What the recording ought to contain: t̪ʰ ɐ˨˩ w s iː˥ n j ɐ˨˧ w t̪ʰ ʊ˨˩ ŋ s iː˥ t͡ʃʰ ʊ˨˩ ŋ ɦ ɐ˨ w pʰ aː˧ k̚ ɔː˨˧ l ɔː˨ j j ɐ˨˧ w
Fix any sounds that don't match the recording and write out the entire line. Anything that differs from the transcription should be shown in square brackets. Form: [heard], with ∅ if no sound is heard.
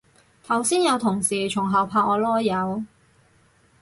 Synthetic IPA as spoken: t̪ʰ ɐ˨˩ w s iː˥ n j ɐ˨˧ w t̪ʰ ʊ˨˩ ŋ s [iː˨˩] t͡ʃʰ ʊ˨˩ ŋ ɦ ɐ˨ w pʰ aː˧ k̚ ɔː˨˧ l [ɔː˥] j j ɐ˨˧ w